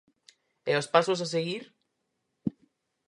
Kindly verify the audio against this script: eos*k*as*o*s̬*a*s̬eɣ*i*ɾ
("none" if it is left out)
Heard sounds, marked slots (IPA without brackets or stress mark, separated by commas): p, o, a, i